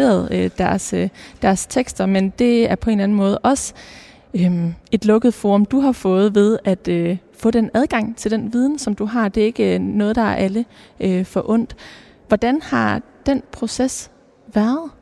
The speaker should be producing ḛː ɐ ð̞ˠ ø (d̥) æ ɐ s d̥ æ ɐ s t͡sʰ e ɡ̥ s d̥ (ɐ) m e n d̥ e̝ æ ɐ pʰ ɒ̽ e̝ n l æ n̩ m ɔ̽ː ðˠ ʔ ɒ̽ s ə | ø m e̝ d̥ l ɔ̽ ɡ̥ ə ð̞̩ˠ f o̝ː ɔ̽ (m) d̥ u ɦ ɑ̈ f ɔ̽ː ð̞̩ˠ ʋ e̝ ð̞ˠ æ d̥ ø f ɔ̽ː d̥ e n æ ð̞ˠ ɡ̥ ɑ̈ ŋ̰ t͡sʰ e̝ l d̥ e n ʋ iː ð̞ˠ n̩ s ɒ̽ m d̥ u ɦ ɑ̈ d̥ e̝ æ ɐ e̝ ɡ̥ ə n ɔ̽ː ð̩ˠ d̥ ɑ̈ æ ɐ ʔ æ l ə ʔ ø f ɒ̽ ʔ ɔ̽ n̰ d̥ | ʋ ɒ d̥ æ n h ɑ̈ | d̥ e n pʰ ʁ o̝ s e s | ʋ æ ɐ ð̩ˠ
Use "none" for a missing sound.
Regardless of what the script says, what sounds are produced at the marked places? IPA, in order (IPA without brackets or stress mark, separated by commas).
d̥, ɐ, m